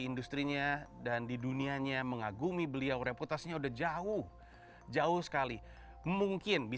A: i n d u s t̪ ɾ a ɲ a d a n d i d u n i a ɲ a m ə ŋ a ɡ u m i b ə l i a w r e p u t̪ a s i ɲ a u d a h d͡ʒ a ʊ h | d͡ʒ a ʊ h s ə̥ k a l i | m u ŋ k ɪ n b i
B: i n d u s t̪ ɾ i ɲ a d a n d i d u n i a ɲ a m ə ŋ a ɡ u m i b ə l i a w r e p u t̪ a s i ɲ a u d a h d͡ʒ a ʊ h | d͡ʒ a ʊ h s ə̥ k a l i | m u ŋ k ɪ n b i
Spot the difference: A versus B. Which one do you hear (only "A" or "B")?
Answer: B